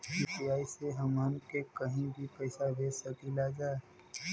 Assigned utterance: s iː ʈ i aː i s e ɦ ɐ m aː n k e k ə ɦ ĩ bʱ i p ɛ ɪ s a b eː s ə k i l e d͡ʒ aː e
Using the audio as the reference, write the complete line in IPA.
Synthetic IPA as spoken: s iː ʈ i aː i s e ɦ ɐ m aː n k e k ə ɦ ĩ bʱ i p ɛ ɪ s a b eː s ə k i l a d͡ʒ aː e